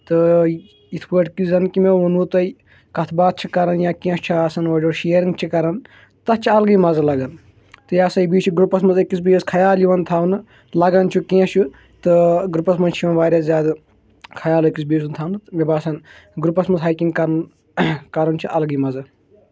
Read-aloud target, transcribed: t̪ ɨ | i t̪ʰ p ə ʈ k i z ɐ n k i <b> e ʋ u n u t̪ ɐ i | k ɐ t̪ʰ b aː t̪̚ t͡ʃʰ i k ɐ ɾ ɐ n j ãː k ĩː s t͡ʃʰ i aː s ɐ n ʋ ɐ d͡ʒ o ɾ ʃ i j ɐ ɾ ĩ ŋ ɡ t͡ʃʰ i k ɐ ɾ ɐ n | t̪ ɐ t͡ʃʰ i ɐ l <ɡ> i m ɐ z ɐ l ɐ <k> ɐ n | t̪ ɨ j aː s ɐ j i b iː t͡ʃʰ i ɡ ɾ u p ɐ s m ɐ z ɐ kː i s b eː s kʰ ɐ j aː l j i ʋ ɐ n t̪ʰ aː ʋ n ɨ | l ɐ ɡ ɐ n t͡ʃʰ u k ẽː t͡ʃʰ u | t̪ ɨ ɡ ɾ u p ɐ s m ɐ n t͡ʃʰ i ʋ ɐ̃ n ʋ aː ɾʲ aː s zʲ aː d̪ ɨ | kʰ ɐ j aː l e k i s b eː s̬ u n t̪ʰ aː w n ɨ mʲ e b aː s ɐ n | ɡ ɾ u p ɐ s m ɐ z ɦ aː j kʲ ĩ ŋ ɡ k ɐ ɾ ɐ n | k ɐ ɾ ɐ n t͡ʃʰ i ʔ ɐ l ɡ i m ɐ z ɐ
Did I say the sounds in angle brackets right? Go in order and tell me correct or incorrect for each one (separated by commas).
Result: incorrect, correct, incorrect